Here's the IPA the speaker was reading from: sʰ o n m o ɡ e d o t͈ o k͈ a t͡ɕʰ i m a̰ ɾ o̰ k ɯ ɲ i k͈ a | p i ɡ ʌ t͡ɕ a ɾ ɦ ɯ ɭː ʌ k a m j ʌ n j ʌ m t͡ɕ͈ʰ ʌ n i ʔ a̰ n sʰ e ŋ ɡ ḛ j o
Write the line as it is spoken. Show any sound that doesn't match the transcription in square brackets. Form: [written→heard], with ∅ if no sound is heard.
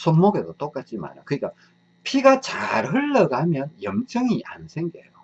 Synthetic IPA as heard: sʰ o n m o ɡ e d o t͈ o k͈ a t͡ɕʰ i m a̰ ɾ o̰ k ɯ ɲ i k͈ a | [p→pʰ] i ɡ [ʌ→a] t͡ɕ a ɾ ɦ ɯ ɭː ʌ [k→ɡ] a m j ʌ n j ʌ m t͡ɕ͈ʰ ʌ [n→ŋ] i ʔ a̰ n sʰ e ŋ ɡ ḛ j o